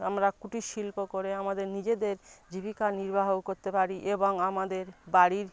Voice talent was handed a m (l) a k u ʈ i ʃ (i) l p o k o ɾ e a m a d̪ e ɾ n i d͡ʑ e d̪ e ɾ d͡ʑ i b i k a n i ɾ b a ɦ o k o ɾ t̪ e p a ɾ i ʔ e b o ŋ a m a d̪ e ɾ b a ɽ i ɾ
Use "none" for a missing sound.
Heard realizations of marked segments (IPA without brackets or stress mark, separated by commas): ɾ, i